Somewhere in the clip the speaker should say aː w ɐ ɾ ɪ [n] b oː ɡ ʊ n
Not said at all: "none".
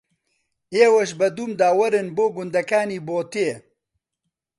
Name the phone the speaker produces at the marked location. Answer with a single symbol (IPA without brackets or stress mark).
n